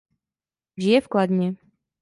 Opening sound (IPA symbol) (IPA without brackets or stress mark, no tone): ʒ